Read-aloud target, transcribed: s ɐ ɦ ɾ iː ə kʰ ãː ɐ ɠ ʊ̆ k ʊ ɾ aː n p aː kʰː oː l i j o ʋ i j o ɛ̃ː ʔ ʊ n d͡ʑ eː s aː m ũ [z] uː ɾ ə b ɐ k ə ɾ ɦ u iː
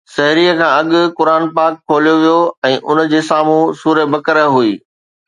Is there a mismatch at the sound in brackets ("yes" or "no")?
yes